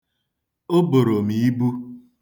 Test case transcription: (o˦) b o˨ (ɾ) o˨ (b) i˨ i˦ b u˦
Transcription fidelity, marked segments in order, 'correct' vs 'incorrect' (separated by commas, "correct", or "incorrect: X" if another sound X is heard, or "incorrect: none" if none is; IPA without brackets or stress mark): correct, correct, incorrect: m